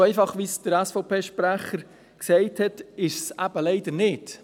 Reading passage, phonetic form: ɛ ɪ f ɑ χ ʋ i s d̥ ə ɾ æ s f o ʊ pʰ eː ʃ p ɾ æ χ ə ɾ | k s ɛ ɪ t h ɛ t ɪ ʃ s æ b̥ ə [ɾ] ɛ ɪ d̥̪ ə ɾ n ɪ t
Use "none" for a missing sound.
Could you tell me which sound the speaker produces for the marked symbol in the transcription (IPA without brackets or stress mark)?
l